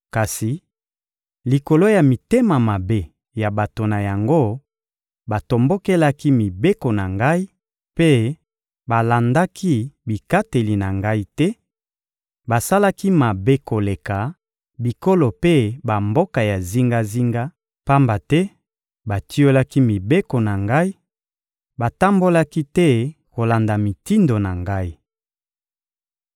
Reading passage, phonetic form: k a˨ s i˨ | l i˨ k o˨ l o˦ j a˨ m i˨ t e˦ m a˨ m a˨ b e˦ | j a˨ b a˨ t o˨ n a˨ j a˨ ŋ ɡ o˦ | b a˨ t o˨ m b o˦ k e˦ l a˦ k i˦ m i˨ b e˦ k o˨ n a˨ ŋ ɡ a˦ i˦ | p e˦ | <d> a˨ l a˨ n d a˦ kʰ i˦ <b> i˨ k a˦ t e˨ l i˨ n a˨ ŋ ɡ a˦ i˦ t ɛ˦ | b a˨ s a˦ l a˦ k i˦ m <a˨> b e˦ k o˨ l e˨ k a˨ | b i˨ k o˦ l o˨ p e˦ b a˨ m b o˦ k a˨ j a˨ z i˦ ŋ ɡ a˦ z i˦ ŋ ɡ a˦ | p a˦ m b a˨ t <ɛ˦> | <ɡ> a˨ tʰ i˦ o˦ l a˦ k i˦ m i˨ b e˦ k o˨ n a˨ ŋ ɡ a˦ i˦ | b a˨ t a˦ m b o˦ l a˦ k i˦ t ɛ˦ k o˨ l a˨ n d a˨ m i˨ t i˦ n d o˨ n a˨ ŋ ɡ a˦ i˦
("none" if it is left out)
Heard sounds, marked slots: b, b, a˨, ɛ˦, b

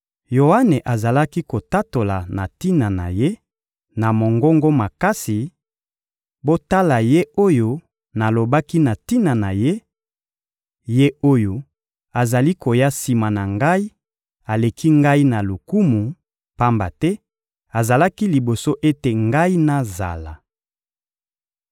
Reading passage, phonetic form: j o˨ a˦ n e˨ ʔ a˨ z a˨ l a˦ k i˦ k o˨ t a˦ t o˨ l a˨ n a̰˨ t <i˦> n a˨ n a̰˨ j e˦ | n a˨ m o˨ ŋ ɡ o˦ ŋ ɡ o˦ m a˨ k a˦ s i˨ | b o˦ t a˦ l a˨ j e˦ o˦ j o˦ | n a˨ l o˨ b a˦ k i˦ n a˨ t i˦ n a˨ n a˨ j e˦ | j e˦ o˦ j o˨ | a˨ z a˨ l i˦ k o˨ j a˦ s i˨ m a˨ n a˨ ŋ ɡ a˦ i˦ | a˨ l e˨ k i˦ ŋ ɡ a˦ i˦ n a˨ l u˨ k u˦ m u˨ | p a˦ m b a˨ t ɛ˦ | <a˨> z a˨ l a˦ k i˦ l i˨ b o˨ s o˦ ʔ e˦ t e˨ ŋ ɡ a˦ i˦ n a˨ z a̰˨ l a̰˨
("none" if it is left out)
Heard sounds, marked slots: i˦, a˨

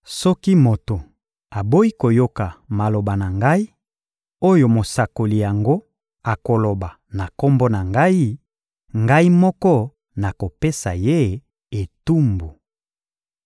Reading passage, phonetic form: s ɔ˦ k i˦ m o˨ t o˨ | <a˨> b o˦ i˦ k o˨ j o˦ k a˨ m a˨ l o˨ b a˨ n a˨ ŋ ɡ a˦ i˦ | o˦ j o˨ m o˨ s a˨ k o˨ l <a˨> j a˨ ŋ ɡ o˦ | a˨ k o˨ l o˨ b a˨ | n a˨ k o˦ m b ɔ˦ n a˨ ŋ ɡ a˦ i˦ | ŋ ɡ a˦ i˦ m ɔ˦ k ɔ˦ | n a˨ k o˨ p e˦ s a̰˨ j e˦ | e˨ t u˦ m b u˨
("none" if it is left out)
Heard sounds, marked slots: a˨, i˨

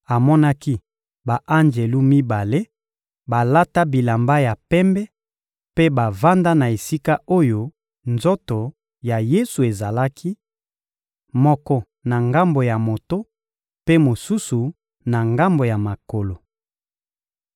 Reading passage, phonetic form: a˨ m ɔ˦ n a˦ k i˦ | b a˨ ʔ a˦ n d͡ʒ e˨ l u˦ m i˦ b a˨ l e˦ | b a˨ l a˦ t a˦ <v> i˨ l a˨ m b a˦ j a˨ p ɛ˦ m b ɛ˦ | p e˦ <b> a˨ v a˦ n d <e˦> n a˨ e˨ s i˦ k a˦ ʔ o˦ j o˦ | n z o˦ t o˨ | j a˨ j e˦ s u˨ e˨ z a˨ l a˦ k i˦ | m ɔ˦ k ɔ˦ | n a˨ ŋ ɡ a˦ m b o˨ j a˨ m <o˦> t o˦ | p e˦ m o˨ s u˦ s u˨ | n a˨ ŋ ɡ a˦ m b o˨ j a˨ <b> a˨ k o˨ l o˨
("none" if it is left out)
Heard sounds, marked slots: b, b, a˦, o˨, m

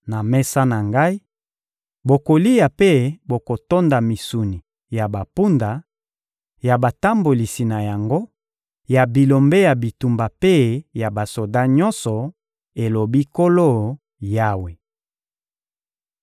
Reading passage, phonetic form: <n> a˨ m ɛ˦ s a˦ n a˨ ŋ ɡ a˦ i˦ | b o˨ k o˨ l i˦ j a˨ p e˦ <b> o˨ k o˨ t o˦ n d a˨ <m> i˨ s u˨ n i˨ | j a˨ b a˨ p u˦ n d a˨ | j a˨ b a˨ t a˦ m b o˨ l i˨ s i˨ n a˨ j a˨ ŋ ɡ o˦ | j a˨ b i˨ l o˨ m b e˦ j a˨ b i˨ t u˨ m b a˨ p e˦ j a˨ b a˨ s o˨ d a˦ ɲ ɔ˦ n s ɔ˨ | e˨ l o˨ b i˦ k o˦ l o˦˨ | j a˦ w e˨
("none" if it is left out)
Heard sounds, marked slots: n, b, m

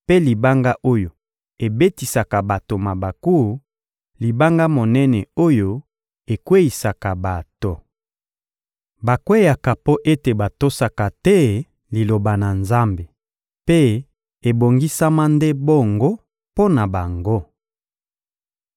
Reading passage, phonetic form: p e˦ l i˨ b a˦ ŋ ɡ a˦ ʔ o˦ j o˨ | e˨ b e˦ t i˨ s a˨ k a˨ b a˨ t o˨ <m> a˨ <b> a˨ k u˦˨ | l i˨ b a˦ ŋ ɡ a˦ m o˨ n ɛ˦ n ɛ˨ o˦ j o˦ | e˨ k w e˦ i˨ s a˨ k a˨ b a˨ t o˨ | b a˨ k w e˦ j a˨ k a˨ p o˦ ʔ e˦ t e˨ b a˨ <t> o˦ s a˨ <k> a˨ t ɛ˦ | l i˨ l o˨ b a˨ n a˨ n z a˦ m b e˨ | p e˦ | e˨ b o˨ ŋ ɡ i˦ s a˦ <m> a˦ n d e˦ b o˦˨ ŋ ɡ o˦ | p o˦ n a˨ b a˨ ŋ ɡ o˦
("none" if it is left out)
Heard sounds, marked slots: m, b, t, k, m

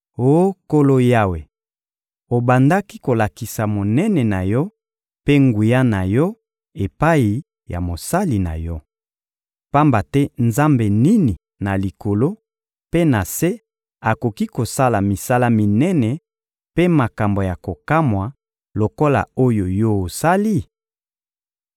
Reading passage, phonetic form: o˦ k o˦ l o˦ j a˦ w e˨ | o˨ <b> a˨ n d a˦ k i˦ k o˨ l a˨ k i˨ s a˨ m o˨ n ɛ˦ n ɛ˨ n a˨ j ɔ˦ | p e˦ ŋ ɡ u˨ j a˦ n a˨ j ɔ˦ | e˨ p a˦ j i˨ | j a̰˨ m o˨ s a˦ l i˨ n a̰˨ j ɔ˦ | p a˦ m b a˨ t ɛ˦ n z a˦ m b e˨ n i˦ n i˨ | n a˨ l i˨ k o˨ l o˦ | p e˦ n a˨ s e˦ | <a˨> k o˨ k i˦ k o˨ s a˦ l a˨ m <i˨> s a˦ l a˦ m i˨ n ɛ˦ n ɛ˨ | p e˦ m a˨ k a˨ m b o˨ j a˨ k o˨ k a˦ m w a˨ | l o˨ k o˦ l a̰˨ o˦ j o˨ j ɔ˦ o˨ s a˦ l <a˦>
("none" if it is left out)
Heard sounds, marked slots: b, a˨, i˨, i˦

